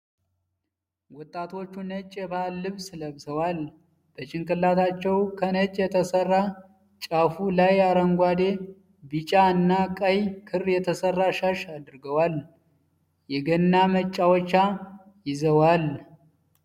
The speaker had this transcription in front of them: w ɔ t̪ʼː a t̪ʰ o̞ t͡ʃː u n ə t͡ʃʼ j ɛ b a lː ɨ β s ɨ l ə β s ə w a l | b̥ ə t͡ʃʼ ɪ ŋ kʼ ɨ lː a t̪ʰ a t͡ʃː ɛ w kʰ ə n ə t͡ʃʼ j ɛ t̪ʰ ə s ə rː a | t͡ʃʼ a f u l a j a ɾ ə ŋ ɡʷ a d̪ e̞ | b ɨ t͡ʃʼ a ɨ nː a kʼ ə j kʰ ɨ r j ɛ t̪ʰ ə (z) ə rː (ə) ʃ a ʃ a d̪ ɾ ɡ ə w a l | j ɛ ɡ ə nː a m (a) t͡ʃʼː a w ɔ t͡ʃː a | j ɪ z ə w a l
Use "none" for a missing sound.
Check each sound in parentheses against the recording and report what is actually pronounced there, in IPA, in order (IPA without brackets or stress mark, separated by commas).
s, a, ə